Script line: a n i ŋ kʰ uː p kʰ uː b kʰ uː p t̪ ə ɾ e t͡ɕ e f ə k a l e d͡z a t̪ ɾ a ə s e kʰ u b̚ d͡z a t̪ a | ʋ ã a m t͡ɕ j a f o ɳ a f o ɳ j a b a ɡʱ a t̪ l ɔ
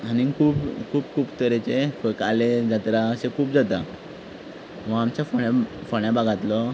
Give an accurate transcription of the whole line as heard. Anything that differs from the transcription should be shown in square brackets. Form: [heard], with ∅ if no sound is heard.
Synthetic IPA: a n i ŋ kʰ uː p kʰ uː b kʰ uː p t̪ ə ɾ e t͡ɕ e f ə k a l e d͡z a t̪ ɾ a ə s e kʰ [uː] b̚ d͡z a t̪ a | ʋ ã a m t͡ɕ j a f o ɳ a f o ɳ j a b a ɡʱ a t̪ l ɔ